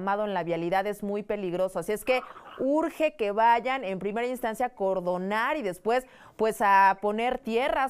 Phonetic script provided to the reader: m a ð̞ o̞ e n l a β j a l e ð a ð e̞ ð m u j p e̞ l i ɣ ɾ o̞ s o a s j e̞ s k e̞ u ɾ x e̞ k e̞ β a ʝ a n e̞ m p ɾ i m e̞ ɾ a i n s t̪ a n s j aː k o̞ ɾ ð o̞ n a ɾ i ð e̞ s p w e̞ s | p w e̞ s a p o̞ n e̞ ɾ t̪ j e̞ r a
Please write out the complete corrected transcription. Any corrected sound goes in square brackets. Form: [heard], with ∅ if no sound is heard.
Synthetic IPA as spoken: m a ð̞ o̞ e n l a β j a l [i] ð a ð e̞ [z] m u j p e̞ l i ɣ ɾ o̞ s o a s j e̞ s k e̞ u ɾ x e̞ k e̞ β a ʝ a n e̞ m p ɾ i m e̞ ɾ a i n s t̪ a n s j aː k o̞ ɾ ð o̞ n a ɾ i ð e̞ s p w e̞ s | p w e̞ s a p o̞ n e̞ ɾ t̪ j e̞ r a